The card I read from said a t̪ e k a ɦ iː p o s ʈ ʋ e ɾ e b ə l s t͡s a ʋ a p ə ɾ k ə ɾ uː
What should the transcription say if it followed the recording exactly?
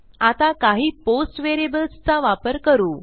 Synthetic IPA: a t̪ a k a ɦ iː p o s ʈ ʋ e ɾ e b ə l s t͡s a ʋ a p ə ɾ k ə ɾ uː